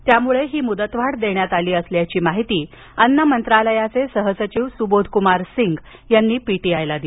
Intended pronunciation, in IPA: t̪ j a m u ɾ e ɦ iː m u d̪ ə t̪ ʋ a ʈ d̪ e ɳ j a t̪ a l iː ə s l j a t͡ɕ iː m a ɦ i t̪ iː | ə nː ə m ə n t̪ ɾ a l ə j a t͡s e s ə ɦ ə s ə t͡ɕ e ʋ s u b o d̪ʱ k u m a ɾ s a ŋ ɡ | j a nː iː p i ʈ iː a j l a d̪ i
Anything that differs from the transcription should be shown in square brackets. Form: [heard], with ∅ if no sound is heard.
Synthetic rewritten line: t̪ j a m u [ɭ] e ɦ iː m u d̪ ə t̪ ʋ a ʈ d̪ e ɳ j a t̪ a l iː ə s l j a t͡ɕ iː m a ɦ i t̪ iː | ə nː ə m ə n t̪ ɾ a l ə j a t͡s e s ə ɦ ə s ə t͡ɕ [i] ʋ s u b o d̪ʱ k u m a ɾ s [i] ŋ ɡ | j a nː iː p i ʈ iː a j l a d̪ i